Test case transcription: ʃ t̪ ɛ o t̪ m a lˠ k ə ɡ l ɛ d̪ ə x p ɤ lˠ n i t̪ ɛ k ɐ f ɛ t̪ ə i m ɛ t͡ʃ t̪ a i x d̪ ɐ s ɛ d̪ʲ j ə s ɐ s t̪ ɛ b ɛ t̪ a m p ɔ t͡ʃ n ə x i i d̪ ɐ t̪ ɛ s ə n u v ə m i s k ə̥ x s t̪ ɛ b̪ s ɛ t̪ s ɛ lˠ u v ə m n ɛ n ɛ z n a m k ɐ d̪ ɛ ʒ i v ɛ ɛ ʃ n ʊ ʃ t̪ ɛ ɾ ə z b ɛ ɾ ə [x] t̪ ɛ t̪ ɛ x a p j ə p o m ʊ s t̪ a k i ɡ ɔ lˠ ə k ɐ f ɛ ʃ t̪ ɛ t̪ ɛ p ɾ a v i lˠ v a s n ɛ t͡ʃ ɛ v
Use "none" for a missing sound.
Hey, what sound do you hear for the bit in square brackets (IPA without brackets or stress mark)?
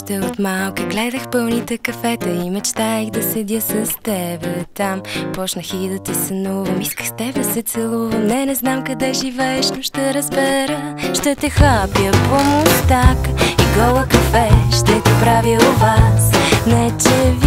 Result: ʃ